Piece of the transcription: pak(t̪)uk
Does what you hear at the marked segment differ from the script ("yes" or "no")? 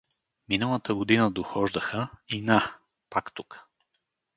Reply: no